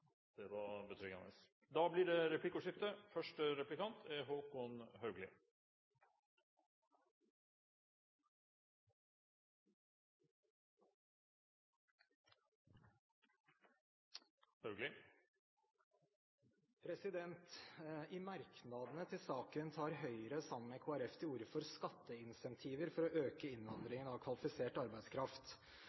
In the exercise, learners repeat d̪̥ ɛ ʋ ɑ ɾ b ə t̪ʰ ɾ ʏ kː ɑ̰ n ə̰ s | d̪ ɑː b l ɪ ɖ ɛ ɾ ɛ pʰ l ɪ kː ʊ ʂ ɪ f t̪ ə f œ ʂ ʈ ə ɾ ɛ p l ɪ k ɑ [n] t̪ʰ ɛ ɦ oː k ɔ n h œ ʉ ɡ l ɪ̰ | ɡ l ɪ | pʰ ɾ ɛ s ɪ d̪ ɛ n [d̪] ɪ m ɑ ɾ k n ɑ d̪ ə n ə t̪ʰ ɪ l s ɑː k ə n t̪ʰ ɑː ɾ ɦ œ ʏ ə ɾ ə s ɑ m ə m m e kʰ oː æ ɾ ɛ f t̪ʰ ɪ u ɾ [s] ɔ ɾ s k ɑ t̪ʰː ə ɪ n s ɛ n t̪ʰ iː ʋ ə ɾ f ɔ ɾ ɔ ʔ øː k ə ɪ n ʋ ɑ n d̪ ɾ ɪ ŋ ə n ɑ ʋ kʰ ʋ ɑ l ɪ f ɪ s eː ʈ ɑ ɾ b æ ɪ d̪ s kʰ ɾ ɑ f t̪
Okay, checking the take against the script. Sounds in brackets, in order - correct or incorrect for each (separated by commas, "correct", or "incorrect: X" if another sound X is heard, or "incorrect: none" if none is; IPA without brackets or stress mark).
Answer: correct, incorrect: t̪, incorrect: f